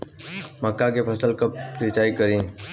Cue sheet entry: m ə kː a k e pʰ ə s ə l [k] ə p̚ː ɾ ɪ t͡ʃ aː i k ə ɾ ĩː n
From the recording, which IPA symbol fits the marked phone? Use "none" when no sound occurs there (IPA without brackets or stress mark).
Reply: k